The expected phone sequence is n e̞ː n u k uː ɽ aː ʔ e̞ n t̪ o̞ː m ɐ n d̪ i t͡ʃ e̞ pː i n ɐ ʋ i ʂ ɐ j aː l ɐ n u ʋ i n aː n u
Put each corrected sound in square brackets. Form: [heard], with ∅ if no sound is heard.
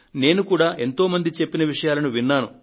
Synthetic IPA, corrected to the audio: n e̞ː n u k uː ɽ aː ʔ e̞ n t̪ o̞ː m ɐ n d̪ i t͡ʃ e̞ pː i n ɐ ʋ i ʂ ɐ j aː l ɐ n u ʋ i [nː] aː n u